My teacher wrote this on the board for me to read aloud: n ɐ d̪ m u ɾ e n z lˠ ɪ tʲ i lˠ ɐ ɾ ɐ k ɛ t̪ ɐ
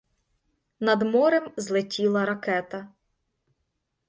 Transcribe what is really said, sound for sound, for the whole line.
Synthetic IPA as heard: n ɐ d̪ m ɔ ɾ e m z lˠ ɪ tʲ i lˠ ɐ ɾ ɐ k ɛ t̪ ɐ

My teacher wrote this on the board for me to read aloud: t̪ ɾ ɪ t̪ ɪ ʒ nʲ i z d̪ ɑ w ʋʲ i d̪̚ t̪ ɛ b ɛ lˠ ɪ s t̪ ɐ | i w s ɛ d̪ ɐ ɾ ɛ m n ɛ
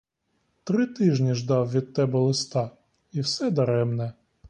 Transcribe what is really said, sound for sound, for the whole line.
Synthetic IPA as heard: t̪ ɾ ɪ t̪ ɪ ʒ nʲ i ʒ d̪ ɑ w ʋʲ i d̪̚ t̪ ɛ b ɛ lˠ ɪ s t̪ ɑ | i w s ɛ d̪ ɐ ɾ ɛ m n ɛ

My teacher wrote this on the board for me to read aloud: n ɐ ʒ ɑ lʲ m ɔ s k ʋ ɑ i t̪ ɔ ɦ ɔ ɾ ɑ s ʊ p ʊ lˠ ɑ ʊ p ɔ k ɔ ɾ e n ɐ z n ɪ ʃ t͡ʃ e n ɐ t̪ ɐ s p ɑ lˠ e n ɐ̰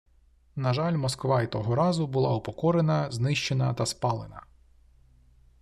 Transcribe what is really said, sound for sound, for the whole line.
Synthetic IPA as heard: n ɐ ʒ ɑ lʲ m ɔ s k ʋ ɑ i t̪ ɔ ɦ ɔ ɾ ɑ z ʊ b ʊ lˠ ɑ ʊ p ɔ k ɔ ɾ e n ɐ z n ɪ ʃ t͡ʃ e n ɐ t̪ ɐ s p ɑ lˠ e n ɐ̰

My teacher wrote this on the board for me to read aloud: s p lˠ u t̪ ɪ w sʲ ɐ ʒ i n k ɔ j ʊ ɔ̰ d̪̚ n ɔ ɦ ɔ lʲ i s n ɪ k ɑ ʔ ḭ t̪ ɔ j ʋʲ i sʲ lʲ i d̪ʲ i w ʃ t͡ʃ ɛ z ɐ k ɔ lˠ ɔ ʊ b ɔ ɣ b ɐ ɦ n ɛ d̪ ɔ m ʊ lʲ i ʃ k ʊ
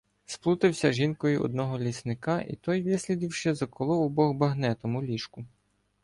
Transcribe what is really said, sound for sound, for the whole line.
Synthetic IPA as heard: s p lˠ u t̪ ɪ w sʲ ɐ ʒ i n k ɔ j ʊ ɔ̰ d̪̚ n ɔ ɦ ɔ lʲ i s n ɪ k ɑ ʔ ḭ t̪ ɔ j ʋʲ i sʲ lʲ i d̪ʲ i w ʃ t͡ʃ ɛ z ɐ k ɔ lˠ ɔ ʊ b ɔ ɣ b ɐ ɦ n ɛ t̪ ɔ m ʊ lʲ i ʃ k ʊ

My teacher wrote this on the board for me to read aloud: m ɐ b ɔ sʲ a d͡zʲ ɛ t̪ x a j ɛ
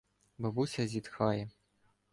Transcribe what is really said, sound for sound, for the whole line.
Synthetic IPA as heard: b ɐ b u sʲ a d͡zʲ i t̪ x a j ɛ

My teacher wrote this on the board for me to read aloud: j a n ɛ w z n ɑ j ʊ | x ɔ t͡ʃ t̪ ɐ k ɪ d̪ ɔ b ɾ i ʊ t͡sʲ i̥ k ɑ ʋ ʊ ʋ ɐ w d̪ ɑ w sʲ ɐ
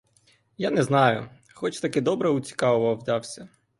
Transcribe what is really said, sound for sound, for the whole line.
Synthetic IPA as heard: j a n ɛ z n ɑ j ʊ | x ɔ t͡ʃ t̪ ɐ k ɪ d̪ ɔ b ɾ ɛ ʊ t͡sʲ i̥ k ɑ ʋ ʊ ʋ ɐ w d̪ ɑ w sʲ ɐ

